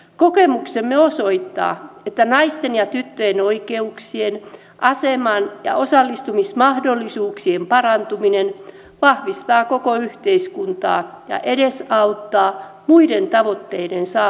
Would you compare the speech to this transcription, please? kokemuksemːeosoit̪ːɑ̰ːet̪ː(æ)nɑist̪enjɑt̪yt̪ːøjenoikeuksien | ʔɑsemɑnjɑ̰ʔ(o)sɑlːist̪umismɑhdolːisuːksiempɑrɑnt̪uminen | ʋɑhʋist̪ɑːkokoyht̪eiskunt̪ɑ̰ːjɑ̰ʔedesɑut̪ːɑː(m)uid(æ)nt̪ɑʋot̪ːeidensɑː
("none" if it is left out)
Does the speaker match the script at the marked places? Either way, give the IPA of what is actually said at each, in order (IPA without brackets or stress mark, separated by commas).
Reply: æ, o, m, e